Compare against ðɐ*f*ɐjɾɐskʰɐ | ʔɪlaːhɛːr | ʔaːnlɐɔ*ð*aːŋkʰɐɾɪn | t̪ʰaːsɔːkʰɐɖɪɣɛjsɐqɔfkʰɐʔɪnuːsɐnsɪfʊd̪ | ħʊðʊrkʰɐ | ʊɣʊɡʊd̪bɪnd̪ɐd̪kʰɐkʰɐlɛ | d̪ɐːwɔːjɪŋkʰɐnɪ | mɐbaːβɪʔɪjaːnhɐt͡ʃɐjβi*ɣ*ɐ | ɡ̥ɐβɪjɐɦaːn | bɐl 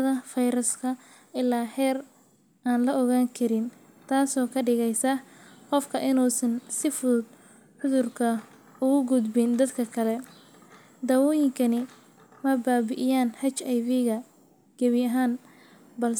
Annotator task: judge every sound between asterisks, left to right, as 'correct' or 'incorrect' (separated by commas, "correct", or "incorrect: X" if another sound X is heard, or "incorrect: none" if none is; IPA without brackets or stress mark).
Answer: correct, incorrect: ɣ, correct